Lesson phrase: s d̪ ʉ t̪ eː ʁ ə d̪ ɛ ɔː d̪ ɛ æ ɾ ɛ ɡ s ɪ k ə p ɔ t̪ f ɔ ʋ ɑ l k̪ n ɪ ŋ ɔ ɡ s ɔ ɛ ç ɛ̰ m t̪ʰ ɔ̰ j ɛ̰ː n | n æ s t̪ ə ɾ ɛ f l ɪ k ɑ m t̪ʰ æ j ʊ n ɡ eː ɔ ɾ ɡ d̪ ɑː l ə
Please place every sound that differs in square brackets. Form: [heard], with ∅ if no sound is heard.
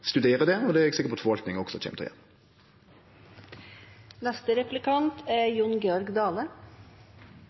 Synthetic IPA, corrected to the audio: s [t̪] ʉ [d̪] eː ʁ ə d̪ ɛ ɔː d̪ ɛ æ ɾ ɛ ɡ s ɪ k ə p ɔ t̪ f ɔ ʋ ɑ l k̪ n ɪ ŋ ɔ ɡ s ɔ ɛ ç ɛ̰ m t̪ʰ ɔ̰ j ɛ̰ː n | n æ s t̪ ə ɾ ɛ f l ɪ k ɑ [n] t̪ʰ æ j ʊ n ɡ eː ɔ ɾ ɡ d̪ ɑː l ə